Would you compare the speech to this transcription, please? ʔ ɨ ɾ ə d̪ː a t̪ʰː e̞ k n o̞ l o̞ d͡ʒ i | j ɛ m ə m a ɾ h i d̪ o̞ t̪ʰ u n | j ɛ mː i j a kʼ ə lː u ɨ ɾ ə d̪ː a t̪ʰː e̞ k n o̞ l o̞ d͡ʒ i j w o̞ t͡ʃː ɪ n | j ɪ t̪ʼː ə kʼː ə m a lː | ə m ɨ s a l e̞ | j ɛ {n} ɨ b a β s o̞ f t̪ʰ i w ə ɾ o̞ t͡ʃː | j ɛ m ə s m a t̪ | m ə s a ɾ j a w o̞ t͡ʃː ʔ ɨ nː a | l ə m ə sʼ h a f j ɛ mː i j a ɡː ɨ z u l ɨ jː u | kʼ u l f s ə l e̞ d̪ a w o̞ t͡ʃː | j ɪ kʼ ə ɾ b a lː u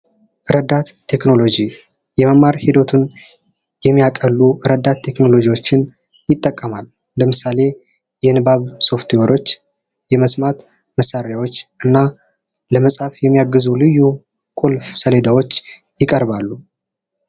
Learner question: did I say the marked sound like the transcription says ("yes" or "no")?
yes